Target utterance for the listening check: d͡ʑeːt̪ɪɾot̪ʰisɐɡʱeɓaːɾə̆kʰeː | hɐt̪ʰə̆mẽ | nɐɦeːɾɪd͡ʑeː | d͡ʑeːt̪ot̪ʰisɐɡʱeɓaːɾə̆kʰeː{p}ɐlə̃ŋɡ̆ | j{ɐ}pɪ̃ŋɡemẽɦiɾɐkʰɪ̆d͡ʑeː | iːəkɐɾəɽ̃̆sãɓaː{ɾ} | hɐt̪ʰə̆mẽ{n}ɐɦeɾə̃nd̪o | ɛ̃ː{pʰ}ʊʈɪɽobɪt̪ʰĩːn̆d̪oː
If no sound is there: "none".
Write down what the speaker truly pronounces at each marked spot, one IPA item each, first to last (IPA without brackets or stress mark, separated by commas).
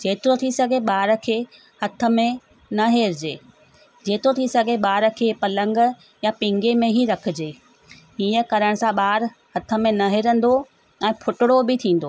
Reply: p, a, ɾ, n, pʰ